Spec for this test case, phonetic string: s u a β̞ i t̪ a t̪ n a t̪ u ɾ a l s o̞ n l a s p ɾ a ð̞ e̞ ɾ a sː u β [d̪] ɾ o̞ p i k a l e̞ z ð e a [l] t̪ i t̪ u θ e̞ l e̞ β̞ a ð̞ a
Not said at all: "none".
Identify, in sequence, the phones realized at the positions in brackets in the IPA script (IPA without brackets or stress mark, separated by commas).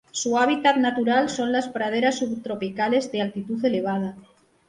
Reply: t̪, l